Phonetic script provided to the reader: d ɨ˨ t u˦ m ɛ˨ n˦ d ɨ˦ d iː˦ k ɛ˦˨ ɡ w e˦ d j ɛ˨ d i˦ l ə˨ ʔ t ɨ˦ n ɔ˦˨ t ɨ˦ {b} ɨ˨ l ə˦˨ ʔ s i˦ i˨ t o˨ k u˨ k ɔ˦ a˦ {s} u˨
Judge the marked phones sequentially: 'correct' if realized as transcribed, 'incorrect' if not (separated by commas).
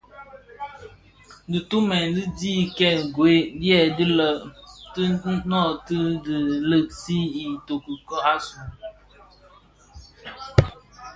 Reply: incorrect, correct